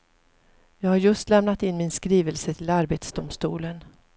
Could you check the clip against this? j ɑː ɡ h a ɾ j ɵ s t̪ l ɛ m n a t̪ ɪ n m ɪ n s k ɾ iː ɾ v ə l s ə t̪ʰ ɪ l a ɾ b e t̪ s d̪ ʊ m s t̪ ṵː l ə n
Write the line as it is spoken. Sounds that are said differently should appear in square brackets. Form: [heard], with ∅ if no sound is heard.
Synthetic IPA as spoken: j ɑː ɡ h a ɾ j ɵ s t̪ l ɛ m n a t̪ ɪ n m ɪ n s k ɾ iː [∅] v ə l s ə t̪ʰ ɪ l a ɾ b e t̪ s d̪ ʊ m s t̪ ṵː l ə n

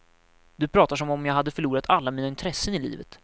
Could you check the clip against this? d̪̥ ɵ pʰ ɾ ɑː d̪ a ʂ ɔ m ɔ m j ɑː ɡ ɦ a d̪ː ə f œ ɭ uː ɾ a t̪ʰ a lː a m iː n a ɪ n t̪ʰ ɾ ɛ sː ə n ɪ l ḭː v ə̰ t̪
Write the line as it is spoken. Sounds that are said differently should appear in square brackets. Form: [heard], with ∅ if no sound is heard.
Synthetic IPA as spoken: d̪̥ ɵ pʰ ɾ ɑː [t̪] a ʂ ɔ m ɔ m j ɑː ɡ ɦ a d̪ː ə f œ ɭ uː ɾ a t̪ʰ a lː a m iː n a ɪ n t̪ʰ ɾ ɛ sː ə n ɪ l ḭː v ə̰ t̪

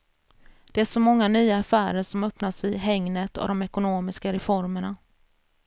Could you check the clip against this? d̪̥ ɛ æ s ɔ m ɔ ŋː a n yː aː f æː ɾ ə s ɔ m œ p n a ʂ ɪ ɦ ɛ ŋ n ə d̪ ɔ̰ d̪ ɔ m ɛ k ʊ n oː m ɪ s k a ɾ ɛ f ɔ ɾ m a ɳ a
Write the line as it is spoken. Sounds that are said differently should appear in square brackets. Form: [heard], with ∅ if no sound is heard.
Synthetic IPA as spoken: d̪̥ ɛ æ [ʂ] ɔ m ɔ ŋː a n yː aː f æː ɾ ə [ʂ] ɔ m œ p n a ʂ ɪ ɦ ɛ ŋ n ə [t̪] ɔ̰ d̪ ɔ m ɛ k ʊ n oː m ɪ s k a ɾ ɛ f ɔ ɾ m [ə] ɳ a

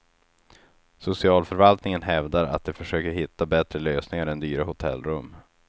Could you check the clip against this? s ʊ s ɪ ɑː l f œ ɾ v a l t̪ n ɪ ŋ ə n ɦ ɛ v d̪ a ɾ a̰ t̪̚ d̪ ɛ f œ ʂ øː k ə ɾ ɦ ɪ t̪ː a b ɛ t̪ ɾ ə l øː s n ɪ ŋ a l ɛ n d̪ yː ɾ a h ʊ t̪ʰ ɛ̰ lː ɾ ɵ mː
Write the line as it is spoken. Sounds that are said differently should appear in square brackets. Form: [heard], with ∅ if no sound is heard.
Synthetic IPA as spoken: s ʊ s ɪ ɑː l f œ ɾ v a l t̪ n ɪ ŋ ə n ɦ ɛ v d̪ a ɾ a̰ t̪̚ d̪ ɛ f œ ʂ øː k ə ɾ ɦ ɪ t̪ː a b ɛ t̪ ɾ ə l øː s n ɪ ŋ a [ɾ] ɛ n d̪ yː ɾ a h ʊ t̪ʰ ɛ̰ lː ɾ ɵ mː

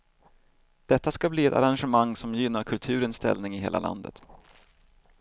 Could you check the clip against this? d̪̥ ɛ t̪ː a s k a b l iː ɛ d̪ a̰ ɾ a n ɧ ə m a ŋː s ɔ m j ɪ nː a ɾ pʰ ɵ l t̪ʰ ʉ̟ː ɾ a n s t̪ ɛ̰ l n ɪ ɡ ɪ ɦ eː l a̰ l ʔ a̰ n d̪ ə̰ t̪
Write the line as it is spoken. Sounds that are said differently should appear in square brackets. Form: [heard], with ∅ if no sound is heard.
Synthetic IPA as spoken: d̪̥ ɛ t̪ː a s k a b l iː ɛ [t̪] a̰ ɾ a n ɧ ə m a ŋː s ɔ m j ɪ nː a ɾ [kʰ] ɵ l t̪ʰ ʉ̟ː ɾ [ə] n s t̪ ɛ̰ l n ɪ [ŋ] ɪ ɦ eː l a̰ l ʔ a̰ n d̪ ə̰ t̪

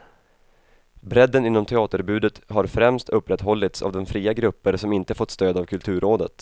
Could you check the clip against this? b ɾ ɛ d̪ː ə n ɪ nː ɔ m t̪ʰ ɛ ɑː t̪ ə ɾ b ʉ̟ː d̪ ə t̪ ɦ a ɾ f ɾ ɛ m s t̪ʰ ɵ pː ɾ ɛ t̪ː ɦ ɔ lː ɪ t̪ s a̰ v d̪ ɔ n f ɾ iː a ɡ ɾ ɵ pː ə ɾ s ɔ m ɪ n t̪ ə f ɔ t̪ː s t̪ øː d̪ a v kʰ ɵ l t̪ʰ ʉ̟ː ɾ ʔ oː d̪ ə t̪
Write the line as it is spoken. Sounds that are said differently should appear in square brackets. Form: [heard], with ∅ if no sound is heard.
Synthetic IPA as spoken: b ɾ ɛ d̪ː ə n ɪ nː ɔ m t̪ʰ ɛ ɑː t̪ ə ɾ b ʉ̟ː d̪ ə t̪ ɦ a ɾ f ɾ ɛ m s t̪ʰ ɵ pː ɾ ɛ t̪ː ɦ ɔ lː ɪ t̪ s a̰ v d̪ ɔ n f ɾ iː a ɡ ɾ ɵ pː ə ɾ s ɔ m ɪ n t̪ ə f ɔ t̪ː s t̪ øː d̪ a v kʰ ɵ l t̪ʰ ʉ̟ː ɾ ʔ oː d̪ ə t̪

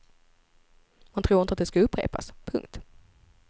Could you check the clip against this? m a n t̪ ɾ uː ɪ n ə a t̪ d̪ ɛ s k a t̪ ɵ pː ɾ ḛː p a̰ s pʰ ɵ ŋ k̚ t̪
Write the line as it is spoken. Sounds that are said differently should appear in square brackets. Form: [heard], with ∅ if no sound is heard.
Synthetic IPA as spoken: m a n [t̪ʰ] ɾ uː ɪ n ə a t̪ d̪ ɛ s k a [∅] ɵ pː ɾ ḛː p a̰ s pʰ ɵ ŋ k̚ t̪

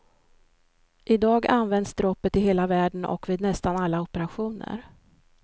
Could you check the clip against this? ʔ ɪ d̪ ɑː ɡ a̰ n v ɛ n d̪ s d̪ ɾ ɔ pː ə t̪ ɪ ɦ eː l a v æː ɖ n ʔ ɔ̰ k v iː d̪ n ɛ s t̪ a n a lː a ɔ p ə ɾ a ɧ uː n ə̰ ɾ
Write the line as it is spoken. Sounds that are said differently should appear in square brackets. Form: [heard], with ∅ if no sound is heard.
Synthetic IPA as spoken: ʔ ɪ d̪ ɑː ɡ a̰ n v ɛ n d̪ s d̪ ɾ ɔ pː ə t̪ ɪ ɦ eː l a v æː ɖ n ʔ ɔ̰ k v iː d̪ n ɛ s t̪ a n a lː a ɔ p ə ɾ a ɧ uː n ə̰ ɾ

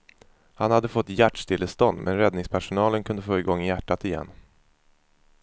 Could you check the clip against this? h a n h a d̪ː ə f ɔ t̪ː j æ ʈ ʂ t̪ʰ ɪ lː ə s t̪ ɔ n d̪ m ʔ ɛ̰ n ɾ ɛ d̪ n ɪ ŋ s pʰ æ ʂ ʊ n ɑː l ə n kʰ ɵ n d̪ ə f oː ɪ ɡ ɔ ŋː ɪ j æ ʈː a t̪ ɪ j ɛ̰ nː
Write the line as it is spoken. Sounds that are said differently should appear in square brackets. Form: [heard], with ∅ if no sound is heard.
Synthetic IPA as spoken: h a n h a d̪ː ə f ɔ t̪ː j æ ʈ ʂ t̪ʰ ɪ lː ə s t̪ ɔ n d̪ m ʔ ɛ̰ n ɾ ɛ d̪ n ɪ ŋ s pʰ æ ʂ ʊ n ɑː l ə n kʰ ɵ n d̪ ə f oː ɪ ɡ ɔ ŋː ɪ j æ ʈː a t̪ ɪ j ɛ̰ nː

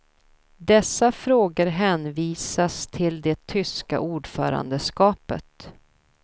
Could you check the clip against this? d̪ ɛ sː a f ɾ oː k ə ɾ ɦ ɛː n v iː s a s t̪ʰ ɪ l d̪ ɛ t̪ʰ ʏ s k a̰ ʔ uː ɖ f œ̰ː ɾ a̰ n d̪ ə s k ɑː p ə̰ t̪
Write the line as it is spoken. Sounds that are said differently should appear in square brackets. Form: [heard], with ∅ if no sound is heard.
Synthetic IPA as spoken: d̪ ɛ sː a f ɾ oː [ɡ] ə ɾ ɦ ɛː n v iː s a s t̪ʰ ɪ l d̪ ɛ t̪ʰ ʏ s k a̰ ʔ uː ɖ f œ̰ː ɾ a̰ n d̪ ə s k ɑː p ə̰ t̪

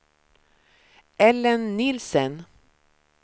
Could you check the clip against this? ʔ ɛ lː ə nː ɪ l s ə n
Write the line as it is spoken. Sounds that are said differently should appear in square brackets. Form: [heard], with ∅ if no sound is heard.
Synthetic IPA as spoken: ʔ ɛ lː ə nː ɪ l s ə n

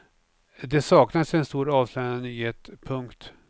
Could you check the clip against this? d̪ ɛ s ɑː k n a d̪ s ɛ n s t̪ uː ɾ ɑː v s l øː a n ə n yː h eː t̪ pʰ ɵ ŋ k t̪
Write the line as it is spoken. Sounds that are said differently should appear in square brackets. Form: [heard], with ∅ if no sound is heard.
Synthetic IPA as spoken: d̪ ɛ s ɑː k n a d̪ s ɛ n s t̪ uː ɾ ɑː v s l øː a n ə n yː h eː t̪ pʰ ɵ ŋ k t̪

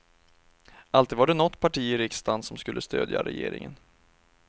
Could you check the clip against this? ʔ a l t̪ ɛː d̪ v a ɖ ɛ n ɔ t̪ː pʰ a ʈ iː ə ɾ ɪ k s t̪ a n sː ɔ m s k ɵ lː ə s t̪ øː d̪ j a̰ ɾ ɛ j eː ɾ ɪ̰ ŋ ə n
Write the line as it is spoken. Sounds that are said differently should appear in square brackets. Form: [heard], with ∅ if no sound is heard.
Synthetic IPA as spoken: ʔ a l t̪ [iː] d̪ v a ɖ ɛ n ɔ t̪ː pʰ a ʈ iː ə ɾ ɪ k s t̪ a n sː ɔ m s k ɵ lː ə s t̪ øː d̪ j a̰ ɾ ɛ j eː ɾ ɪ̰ ŋ ə n

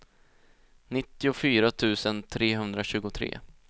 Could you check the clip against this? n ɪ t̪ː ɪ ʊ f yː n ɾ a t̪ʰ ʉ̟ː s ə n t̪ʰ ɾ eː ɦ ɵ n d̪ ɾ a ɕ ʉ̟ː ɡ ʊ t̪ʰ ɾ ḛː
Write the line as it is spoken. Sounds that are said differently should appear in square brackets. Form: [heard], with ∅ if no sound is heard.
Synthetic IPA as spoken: n ɪ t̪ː ɪ ʊ f yː [∅] ɾ a t̪ʰ ʉ̟ː s ə n t̪ʰ ɾ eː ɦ ɵ n d̪ ɾ a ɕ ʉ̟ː ɡ ʊ t̪ʰ ɾ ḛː

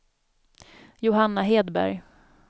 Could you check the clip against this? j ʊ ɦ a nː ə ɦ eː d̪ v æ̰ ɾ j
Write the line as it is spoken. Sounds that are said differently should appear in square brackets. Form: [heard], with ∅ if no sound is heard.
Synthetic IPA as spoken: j ʊ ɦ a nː [a] ɦ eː d̪ [b] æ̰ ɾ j

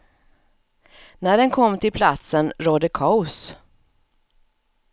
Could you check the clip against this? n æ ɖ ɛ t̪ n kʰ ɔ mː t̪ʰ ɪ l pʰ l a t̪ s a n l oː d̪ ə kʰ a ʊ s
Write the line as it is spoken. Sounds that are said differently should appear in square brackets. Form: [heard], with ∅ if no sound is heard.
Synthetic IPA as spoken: n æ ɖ ɛ [∅] n kʰ ɔ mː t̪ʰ ɪ l pʰ l a t̪ s [ə] n [ɾ] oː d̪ ə kʰ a ʊ s

